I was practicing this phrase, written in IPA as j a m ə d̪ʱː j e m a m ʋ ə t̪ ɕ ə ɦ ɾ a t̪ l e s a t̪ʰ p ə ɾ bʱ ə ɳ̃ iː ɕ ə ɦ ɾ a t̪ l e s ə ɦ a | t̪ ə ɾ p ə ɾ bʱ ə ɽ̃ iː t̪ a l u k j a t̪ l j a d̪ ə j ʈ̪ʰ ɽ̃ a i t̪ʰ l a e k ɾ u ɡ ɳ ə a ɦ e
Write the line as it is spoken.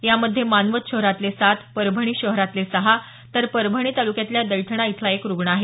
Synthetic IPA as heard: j a m ə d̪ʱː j e m a n ʋ ə t̪ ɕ ə ɦ ɾ a t̪ l e s a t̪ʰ p ə ɾ bʱ ə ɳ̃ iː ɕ ə ɦ ɾ a t̪ l e s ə ɦ a | t̪ ə ɾ p ə ɾ bʱ ə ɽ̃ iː t̪ a l u k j a t̪ l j a d̪ ə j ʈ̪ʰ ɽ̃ a i t̪ʰ l a e k ɾ u ɡ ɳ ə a ɦ e